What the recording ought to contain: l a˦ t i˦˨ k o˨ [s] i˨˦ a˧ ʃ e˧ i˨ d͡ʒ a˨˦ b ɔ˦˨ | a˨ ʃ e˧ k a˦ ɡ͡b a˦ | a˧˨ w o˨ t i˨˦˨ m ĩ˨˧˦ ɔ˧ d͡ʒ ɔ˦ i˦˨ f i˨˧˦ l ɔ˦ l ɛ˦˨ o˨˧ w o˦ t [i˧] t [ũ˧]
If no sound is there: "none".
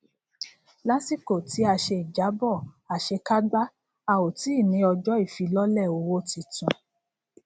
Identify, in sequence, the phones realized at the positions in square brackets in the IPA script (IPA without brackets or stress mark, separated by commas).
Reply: t, i˧, ũ˧